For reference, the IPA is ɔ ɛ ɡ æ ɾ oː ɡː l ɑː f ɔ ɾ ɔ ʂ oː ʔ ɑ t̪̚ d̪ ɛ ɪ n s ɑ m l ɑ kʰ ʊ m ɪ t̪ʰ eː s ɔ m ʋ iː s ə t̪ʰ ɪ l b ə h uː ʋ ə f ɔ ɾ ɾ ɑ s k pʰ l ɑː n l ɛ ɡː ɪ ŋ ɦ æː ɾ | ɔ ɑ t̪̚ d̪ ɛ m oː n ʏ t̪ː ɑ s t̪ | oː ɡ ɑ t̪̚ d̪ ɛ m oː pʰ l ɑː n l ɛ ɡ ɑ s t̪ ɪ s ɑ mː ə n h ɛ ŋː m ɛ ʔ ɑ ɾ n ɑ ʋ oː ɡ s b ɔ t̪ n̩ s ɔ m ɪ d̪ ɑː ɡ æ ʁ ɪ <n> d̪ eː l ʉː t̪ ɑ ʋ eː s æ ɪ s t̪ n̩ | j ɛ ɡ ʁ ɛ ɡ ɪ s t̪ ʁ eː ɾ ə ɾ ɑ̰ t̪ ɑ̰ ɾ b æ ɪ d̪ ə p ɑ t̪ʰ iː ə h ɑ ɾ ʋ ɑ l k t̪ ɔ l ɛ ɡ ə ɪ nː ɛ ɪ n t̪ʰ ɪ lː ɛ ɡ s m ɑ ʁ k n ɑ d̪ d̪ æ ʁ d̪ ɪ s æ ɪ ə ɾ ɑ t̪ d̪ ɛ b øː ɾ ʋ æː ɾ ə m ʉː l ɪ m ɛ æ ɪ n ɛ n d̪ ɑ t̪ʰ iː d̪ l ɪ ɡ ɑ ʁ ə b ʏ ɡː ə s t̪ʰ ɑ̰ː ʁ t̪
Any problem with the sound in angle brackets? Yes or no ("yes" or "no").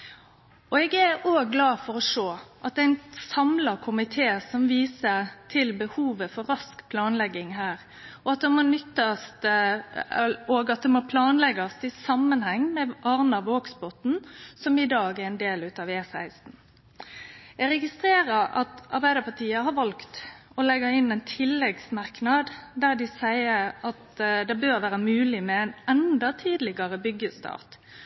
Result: no